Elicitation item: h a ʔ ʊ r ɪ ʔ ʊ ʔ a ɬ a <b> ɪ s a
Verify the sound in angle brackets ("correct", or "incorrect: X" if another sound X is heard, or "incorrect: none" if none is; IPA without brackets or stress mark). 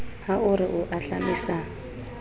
incorrect: m